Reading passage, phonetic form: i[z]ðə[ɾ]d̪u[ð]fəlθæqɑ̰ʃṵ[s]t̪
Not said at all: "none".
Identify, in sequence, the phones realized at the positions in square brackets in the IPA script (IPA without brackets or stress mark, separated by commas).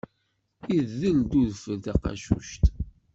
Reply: ð, l, ð, ʃ